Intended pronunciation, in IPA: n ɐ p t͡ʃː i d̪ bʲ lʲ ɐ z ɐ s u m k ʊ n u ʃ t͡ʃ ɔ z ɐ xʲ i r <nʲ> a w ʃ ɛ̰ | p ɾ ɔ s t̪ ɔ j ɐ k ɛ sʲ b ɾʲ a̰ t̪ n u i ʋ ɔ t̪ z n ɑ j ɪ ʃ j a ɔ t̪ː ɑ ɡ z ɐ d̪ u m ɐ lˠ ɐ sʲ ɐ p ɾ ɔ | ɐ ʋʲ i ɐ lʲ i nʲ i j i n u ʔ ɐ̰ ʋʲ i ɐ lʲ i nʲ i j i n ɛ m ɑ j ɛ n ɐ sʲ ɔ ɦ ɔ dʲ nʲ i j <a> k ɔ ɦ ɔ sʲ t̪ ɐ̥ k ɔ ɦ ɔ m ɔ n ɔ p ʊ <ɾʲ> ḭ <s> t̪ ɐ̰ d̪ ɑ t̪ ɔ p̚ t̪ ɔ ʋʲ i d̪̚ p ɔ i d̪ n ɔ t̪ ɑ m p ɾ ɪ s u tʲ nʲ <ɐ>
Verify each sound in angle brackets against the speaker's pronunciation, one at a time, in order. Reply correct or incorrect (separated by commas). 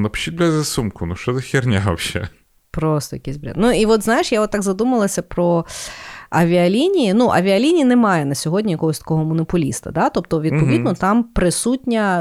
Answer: correct, incorrect, incorrect, correct, correct